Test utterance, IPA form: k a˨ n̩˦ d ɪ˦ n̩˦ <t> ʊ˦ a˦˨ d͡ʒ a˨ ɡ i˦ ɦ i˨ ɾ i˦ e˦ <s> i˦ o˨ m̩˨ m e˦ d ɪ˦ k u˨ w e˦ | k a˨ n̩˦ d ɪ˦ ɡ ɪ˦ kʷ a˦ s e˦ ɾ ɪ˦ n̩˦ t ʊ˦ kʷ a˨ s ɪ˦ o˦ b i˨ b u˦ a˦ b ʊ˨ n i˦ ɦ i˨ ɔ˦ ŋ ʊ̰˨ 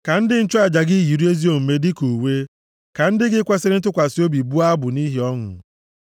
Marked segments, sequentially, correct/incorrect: incorrect, incorrect

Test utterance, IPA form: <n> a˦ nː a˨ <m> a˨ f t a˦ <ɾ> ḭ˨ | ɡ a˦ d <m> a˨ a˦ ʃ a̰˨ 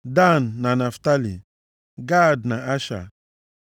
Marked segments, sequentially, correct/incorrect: incorrect, incorrect, incorrect, incorrect

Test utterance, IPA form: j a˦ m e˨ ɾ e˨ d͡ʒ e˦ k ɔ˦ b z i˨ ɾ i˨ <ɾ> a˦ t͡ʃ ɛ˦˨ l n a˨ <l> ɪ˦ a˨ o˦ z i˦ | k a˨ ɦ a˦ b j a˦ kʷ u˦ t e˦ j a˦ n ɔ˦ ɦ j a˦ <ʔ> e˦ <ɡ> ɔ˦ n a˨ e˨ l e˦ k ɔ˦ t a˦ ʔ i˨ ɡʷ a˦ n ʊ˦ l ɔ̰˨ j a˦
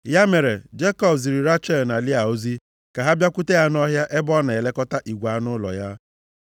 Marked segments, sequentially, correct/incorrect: correct, correct, correct, incorrect

